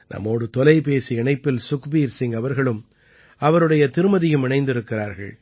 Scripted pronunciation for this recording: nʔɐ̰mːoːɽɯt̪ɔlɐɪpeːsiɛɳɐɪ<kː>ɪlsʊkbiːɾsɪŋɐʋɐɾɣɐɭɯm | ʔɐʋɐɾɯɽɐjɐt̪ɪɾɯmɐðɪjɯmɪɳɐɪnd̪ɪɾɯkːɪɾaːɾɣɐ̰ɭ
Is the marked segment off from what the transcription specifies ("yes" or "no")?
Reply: yes